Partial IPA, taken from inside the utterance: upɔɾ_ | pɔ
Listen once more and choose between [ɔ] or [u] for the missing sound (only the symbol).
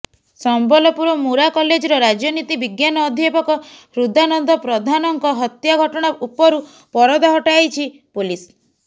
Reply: u